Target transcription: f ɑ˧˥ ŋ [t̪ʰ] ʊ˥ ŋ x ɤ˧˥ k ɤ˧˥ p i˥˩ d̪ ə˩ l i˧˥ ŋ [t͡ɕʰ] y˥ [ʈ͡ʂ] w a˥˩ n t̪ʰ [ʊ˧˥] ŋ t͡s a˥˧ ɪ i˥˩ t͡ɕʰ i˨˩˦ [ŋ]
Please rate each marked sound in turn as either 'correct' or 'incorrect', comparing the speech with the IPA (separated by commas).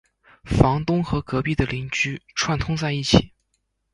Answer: incorrect, incorrect, incorrect, incorrect, incorrect